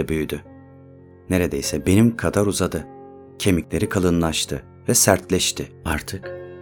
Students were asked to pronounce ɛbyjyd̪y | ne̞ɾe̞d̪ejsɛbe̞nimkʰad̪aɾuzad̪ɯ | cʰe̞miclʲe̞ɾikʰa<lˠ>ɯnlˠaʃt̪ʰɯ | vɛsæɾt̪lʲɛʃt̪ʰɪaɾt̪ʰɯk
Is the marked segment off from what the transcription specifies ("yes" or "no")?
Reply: no